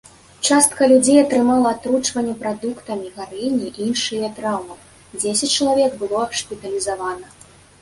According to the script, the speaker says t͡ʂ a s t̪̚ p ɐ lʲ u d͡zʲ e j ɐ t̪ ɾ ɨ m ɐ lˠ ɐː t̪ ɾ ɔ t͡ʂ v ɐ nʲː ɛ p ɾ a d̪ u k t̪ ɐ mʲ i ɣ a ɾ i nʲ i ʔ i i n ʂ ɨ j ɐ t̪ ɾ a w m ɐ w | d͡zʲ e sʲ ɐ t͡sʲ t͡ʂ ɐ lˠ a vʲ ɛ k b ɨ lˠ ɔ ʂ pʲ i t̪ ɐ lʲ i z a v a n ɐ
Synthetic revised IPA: t͡ʂ a s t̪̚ k ɐ lʲ u d͡zʲ e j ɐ t̪ ɾ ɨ m a lˠ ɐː t̪ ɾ u t͡ʂ v ɐ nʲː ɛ p ɾ a d̪ u k t̪ ɐ mʲ i ɣ a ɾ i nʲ i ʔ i i n ʂ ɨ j ɐ t̪ ɾ a w m ɐ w | d͡zʲ e sʲ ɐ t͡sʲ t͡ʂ ɐ lˠ a vʲ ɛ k b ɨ lˠ ɔ ʂ pʲ i t̪ ɐ lʲ i z a v a n ɐ